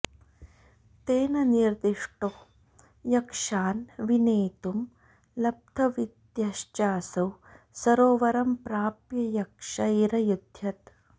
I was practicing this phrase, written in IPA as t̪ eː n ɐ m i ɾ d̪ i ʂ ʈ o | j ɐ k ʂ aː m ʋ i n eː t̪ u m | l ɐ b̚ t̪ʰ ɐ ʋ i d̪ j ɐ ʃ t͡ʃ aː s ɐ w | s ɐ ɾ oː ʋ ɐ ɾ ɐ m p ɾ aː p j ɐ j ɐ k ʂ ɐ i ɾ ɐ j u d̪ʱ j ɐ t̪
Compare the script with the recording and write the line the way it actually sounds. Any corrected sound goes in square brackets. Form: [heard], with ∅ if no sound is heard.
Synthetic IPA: t̪ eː n ɐ [n] i ɾ d̪ i ʂ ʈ o | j ɐ k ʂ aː [n] ʋ i n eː t̪ u m | l ɐ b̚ t̪ʰ ɐ ʋ i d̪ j ɐ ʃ t͡ʃ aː s ɐ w | s ɐ ɾ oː ʋ ɐ ɾ ɐ m p ɾ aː p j ɐ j ɐ k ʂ ɐ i ɾ ɐ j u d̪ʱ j ɐ t̪